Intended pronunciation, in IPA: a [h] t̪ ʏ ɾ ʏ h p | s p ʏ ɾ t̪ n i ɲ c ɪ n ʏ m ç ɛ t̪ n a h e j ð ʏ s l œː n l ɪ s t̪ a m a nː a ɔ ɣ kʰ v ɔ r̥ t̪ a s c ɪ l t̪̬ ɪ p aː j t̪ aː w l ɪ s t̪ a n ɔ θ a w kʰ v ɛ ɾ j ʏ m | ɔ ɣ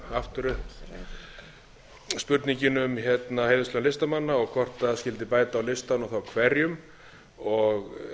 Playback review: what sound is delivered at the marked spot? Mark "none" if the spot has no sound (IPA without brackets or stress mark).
f